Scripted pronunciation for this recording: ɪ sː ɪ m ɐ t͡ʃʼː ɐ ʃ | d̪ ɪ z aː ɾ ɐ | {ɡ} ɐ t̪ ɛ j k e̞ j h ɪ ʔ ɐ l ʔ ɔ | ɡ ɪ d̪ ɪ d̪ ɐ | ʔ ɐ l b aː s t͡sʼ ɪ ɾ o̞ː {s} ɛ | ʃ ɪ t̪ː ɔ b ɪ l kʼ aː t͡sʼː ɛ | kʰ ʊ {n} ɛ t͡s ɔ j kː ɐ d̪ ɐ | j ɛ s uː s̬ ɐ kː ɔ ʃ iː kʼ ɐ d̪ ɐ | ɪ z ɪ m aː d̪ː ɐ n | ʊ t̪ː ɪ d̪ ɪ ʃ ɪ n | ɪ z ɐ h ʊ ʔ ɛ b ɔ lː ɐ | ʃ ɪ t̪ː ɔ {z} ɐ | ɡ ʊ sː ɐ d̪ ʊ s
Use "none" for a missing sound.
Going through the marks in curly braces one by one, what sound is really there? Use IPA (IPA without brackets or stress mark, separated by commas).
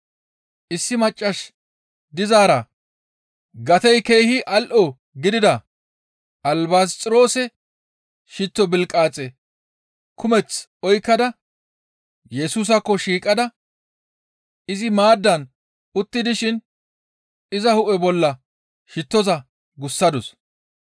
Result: ɡ, s, m, z